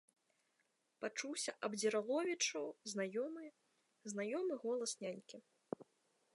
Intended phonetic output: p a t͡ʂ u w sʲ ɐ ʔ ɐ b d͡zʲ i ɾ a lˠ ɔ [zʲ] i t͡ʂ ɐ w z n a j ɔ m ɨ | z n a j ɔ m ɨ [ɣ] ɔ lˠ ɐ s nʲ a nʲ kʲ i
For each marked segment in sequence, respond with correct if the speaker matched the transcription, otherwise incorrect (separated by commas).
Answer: incorrect, correct